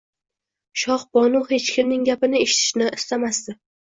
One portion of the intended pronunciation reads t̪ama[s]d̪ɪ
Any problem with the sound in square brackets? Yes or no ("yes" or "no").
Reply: no